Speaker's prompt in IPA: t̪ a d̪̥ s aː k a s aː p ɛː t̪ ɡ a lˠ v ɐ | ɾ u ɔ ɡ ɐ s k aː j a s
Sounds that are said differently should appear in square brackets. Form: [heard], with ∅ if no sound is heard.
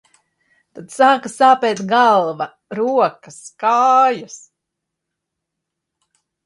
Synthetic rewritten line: t̪ a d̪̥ s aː k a s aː p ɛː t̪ ɡ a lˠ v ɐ | ɾ u ɔ [k] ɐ s k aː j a s